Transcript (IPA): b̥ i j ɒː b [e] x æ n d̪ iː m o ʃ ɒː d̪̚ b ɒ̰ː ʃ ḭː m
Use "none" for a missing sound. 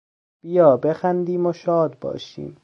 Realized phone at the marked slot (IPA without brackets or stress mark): e